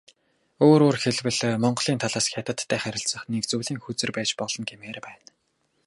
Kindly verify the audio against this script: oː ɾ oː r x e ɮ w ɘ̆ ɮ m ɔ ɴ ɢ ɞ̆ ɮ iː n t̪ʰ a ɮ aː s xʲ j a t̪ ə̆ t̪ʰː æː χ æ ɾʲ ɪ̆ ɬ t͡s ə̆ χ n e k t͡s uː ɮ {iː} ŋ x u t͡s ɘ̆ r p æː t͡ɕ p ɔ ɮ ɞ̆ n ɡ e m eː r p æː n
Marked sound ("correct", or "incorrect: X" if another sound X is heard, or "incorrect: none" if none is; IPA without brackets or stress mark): correct